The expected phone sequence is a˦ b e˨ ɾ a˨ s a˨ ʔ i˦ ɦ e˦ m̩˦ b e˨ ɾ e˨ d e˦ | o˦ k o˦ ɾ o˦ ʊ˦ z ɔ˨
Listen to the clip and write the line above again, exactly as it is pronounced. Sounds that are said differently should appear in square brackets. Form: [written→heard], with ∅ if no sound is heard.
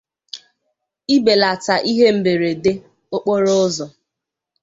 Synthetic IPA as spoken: [a˦→i˦] b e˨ [ɾ→l] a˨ [s→t] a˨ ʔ i˦ ɦ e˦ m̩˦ b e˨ ɾ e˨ d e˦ | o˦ [k→k͡p] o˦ ɾ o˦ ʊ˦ z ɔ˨